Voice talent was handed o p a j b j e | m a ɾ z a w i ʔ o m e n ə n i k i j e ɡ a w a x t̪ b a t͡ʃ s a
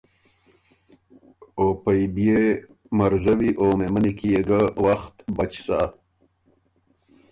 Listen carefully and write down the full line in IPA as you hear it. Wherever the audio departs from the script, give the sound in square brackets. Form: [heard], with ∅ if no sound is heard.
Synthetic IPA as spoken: o p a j b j e | m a ɾ z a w i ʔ o m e [m] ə n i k i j e ɡ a w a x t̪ b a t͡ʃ s a